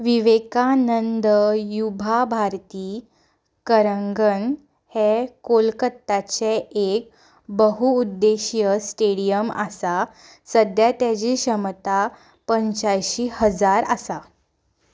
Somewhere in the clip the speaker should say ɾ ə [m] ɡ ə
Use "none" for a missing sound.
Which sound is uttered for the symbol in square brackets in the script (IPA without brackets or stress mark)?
ŋ